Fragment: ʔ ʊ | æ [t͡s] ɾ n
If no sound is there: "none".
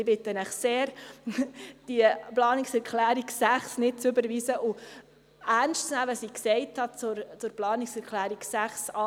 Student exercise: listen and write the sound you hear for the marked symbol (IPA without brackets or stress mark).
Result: none